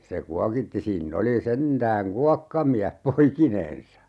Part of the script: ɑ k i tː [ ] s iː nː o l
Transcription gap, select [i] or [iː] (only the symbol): i